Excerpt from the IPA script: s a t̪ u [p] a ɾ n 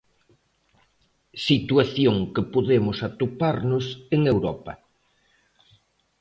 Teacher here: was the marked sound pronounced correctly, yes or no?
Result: yes